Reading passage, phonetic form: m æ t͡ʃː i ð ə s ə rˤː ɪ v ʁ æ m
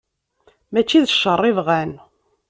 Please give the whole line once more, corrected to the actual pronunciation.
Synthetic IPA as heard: m æ t͡ʃː i ð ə ʃ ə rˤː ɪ v ʁ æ n